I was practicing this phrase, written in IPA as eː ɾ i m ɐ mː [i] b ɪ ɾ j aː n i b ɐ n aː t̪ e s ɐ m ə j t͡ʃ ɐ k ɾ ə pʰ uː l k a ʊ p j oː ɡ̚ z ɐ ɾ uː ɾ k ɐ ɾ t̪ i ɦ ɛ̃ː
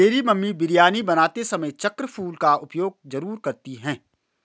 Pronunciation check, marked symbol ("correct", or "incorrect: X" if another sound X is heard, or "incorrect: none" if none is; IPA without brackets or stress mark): correct